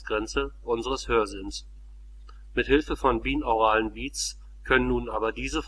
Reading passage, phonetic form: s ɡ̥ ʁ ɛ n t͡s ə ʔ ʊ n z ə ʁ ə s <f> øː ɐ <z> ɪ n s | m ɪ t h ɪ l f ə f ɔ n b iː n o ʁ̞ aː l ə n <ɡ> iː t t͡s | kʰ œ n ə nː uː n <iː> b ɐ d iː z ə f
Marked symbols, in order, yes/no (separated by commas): no, yes, no, no